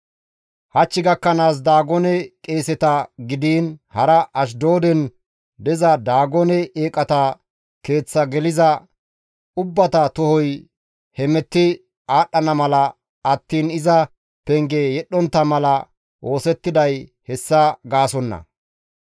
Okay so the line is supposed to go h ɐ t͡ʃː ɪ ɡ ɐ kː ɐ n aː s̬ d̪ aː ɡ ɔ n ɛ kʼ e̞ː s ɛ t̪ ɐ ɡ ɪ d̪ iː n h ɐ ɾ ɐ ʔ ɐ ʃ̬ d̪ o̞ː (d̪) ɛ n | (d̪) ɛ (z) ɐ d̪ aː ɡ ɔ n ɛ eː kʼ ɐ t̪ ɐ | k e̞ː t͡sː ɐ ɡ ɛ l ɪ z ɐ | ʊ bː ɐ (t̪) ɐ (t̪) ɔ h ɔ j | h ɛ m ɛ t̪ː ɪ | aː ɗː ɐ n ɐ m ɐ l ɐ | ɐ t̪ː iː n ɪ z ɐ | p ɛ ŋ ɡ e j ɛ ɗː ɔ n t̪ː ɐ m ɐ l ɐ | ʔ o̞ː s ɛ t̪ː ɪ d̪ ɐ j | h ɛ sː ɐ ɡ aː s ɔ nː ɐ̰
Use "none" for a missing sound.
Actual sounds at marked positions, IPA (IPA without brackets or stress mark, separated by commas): d̪, d̪, z, t̪, t̪